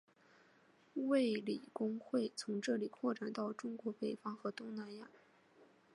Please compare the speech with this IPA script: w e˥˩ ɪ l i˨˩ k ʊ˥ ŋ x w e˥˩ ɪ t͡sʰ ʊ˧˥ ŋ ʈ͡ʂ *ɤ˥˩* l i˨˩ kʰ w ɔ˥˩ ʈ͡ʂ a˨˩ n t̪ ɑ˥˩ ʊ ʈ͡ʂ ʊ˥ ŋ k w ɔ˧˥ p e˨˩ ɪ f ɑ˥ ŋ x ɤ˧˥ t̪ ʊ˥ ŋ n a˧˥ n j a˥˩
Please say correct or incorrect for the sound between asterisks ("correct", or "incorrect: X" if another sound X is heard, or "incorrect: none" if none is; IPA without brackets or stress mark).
correct